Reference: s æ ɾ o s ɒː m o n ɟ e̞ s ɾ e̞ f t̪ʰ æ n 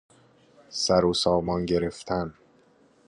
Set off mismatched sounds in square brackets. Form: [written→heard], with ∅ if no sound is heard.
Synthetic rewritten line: s æ ɾ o s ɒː m [o→ɒ] n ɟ e̞ [s→∅] ɾ e̞ f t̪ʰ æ n